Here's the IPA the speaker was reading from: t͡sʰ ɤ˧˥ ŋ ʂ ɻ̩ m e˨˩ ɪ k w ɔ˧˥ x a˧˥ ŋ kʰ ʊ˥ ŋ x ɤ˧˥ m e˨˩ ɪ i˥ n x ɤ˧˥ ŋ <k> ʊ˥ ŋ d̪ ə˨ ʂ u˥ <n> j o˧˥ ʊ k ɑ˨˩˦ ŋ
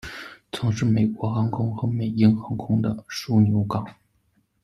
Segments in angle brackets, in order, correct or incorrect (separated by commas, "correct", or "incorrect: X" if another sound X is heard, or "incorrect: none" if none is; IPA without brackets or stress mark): incorrect: kʰ, correct